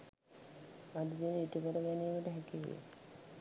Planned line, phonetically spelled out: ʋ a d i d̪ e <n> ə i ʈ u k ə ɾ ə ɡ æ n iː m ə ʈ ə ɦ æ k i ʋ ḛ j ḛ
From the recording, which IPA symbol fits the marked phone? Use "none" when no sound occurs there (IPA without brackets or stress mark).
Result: n